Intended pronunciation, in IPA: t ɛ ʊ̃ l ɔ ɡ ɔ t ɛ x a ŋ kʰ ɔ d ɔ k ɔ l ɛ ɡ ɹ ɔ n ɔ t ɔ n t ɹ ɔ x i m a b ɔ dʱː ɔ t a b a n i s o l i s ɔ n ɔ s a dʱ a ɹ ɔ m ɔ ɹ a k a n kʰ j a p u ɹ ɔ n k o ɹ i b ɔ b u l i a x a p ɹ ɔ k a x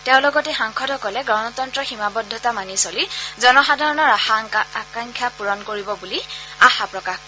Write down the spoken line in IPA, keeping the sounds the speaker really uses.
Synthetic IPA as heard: t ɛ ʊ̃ l ɔ ɡ ɔ t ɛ x a ŋ kʰ ɔ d ɔ k ɔ l ɛ ɡ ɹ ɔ n ɔ t ɔ n t ɹ ɔ x i m a b ɔ dʱː ɔ t a m a n i s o l i z ɔ n ɔ x a dʱ a ɹ ɔ n ɔ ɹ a k a ŋ kʰ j a p u ɹ ɔ n k o ɹ i b ɔ b u l i a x a p ɹ ɔ k a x